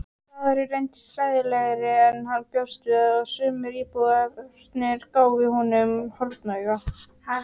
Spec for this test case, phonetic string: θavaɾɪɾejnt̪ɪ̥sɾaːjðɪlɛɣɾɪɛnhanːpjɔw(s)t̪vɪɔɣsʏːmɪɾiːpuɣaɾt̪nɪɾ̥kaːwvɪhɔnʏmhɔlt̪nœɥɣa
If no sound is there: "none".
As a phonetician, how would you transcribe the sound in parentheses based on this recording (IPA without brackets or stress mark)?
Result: s